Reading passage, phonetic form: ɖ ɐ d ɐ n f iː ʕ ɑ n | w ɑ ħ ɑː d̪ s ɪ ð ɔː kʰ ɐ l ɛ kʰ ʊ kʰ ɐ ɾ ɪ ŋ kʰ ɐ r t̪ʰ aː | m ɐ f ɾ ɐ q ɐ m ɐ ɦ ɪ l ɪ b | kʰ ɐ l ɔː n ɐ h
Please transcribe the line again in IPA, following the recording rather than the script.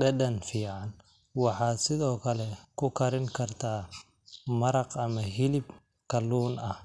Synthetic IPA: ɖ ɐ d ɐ n f iː ʕ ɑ n | w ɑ ħ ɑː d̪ s ɪ ð ɔː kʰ ɐ l ɛ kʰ ʊ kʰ ɐ ɾ ɪ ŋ kʰ ɐ r t̪ʰ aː | m ɐ ɾ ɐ q ɐ m ɐ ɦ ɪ l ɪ b | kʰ ɐ l uː n ɐ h

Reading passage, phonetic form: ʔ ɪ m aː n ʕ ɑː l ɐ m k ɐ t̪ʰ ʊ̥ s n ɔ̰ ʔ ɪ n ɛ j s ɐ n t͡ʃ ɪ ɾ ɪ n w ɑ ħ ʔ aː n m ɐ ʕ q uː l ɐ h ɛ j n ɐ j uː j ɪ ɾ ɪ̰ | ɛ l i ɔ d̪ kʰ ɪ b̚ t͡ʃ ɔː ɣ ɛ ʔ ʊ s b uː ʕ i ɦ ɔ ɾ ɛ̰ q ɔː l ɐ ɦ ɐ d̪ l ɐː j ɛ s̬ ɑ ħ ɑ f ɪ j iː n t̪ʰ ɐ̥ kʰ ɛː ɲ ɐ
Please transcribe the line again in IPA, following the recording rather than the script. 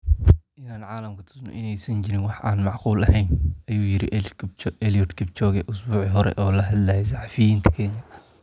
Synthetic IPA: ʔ ɪ n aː n ʕ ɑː l ɐ m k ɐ t̪ʰ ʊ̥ s n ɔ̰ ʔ ɪ n ɛ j s ɐ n t͡ʃ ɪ ɾ ɪ n w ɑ ħ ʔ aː n m ɑ ʕ q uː l ɐ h ɛ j n ɐ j uː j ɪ ɾ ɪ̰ | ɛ l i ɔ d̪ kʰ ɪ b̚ t͡ʃ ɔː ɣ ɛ ʔ ʊ s b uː ʕ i ɦ ɔ ɾ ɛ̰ ʔ ɔː l ɐ ɦ ɐ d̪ l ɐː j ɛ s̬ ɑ ħ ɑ f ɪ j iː n t̪ʰ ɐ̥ kʰ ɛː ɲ ɐ

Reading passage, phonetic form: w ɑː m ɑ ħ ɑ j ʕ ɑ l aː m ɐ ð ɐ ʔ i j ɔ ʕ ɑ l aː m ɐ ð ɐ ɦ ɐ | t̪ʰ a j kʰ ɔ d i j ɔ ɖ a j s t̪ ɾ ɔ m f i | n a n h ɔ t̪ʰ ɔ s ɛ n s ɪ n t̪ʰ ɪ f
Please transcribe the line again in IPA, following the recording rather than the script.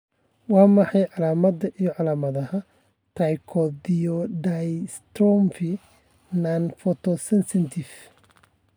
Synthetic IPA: w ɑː m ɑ ħ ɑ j ʕ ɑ l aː m ɐ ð ɐ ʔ i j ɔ ʕ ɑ l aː m ɐ ð ɐ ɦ ɐ | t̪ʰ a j kʰ ɔ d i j ɔ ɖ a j s t̪ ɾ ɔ m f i | n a n f ɔ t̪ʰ ɔ s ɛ n s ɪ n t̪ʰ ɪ f

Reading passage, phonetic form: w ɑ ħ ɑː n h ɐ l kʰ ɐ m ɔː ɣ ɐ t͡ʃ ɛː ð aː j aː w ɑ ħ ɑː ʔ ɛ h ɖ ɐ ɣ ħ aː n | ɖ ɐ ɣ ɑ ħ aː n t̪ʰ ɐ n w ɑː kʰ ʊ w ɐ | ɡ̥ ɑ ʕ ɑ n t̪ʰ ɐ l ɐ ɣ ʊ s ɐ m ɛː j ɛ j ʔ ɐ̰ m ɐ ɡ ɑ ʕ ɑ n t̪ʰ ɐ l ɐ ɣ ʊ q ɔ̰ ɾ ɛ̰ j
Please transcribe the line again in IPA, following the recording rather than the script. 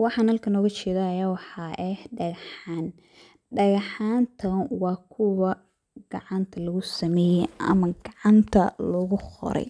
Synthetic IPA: w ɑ ħ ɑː n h ɐ l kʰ ɐ n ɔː ɣ ɐ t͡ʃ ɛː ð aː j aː w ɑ ħ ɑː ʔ ɛ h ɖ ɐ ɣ ħ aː n | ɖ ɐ ɣ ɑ ħ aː n t̪ʰ ɐ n w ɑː kʰ ʊ w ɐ | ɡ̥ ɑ ʕ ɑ n t̪ʰ ɐ l ɐ ɣ ʊ s ɐ m ɛː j ɛ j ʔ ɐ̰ m ɐ ɡ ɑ ʕ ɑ n t̪ʰ ɐ l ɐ ɣ ʊ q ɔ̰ ɾ ɛ̰ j

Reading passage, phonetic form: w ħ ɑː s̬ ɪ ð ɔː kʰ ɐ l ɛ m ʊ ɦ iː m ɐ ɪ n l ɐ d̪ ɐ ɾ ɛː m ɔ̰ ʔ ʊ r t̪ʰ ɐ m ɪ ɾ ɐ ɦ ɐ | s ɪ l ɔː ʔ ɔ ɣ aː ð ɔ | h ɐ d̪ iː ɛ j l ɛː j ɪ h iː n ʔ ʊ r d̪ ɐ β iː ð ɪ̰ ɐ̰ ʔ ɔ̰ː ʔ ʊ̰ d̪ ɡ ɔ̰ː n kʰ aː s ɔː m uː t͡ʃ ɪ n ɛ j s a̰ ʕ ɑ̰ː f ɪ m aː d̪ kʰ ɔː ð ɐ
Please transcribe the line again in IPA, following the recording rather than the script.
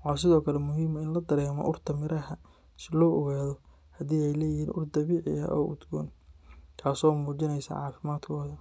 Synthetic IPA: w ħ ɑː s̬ ɪ ð ɔː kʰ ɐ l ɛ m ʊ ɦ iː m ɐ ɪ n l ɐ d̪ ɐ ɾ ɛː m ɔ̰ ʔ ʊ r t̪ʰ ɐ m ɪ ɾ ɐ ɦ ɐ | s ɪ l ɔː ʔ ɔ ɣ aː ð ɔ | h ɐ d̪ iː ɛ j l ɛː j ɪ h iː n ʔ ʊ r d̪ ɐ β iː ʕ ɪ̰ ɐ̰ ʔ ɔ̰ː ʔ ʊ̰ d̪ ɡ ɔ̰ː n kʰ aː s ɔː m uː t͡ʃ ɪ n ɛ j s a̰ ʕ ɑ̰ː f ɪ m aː d̪ kʰ ɔː ð ɐ

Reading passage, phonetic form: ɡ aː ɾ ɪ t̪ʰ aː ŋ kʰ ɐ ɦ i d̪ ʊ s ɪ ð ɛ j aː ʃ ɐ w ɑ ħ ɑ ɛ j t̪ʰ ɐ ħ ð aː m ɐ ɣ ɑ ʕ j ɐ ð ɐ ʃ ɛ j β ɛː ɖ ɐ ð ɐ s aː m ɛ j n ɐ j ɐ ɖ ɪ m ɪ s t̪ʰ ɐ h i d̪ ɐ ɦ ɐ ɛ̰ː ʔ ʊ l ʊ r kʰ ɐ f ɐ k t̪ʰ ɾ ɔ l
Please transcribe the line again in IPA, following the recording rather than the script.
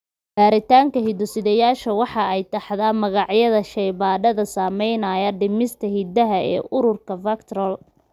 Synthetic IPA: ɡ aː ɾ ɪ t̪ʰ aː ŋ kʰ ɐ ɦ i d̪ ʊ s ɪ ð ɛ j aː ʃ ɐ w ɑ ħ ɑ ɛ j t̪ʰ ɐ ħ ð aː m ɐ ɣ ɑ ʕ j ɐ ð ɐ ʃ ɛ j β aː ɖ ɐ ð ɐ s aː m ɛ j n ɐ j ɐ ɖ ɪ m ɪ s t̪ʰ ɐ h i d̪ ɐ ɦ ɐ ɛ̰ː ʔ ʊ ɾ ʊ r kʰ ɐ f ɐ k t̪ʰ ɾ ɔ l

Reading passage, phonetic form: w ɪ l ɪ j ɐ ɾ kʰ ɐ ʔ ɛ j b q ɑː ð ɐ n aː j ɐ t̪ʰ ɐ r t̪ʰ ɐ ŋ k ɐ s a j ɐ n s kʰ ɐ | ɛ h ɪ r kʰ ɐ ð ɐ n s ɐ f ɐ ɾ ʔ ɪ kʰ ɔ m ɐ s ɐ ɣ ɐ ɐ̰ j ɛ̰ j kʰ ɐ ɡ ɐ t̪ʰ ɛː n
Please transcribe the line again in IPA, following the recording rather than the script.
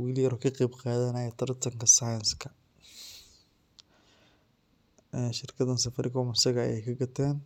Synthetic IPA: w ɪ l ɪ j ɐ ɾ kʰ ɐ q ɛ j b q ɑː ð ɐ n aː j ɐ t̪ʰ ɐ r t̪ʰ ɐ ŋ k ɐ s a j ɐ n s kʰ ɐ | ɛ ʃ ɪ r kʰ ɐ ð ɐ n s ɐ f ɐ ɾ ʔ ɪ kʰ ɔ m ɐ s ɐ ɣ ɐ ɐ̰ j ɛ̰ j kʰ ɐ ɡ ɐ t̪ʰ ɛː n

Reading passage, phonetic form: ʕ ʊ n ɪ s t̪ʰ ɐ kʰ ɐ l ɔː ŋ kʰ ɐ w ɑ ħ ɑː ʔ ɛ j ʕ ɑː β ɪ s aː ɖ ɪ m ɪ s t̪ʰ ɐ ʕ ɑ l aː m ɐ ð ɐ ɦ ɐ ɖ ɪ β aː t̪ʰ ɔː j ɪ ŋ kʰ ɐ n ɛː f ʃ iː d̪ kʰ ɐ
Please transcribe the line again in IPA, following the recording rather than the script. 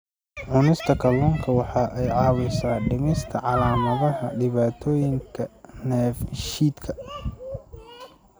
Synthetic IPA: ʕ ʊ n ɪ s t̪ʰ ɐ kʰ ɐ l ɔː ŋ kʰ ɐ w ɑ ħ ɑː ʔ ɛ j ʕ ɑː w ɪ s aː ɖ ɪ m ɪ s t̪ʰ ɐ ʕ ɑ l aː m ɐ ð ɐ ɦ ɐ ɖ ɪ β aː t̪ʰ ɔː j ɪ ŋ kʰ ɐ n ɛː f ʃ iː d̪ kʰ ɐ

